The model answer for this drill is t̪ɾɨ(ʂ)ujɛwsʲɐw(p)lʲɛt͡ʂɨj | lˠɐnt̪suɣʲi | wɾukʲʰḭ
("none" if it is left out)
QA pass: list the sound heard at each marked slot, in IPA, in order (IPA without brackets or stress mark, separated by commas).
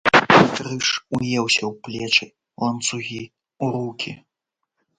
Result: ʂ, p